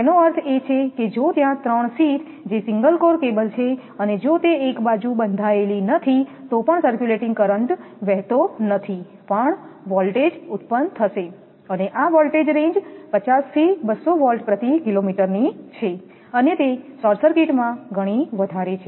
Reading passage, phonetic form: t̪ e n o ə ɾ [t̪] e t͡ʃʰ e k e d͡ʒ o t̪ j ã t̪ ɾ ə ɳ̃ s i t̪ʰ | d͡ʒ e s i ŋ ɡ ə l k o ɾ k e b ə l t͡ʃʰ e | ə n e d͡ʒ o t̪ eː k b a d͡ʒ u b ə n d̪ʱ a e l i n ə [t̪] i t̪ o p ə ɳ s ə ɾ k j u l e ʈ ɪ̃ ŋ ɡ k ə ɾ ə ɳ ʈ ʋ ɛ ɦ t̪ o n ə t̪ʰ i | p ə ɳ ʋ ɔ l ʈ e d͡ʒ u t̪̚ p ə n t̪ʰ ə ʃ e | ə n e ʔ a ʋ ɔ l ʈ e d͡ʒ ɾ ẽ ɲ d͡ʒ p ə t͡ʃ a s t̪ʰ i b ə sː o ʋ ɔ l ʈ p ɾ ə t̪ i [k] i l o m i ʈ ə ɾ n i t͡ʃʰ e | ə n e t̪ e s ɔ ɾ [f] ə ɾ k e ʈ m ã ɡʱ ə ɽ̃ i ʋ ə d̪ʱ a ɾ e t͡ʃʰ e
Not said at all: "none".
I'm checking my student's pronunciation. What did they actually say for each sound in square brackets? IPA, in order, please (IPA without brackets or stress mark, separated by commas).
t̪ʰ, t̪ʰ, k, s